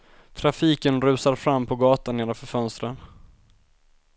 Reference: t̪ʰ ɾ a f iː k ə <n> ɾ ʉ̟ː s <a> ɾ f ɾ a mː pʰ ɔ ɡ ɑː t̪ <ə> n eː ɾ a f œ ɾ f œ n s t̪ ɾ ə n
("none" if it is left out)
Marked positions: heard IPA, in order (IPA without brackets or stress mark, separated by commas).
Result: n, a, a